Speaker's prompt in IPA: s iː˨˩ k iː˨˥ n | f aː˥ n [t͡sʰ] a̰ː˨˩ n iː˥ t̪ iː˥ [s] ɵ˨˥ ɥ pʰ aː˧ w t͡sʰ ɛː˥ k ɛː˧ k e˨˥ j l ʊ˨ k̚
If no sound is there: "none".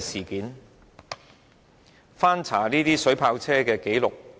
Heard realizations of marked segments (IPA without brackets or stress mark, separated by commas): t͡sʰ, s